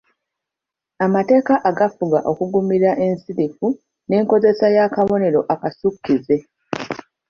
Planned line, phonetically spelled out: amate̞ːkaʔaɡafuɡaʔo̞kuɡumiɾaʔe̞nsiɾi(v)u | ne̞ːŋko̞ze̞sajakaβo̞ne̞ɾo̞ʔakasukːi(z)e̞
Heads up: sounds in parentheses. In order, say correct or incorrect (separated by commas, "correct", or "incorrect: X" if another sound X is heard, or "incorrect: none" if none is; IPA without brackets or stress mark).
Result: incorrect: f, correct